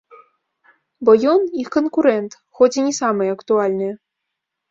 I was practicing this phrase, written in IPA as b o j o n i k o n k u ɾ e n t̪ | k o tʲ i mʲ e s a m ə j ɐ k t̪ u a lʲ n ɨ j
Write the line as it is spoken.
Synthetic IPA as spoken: b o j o n i k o n k u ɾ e n t̪ | x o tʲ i nʲ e s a m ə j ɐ k t̪ u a lʲ n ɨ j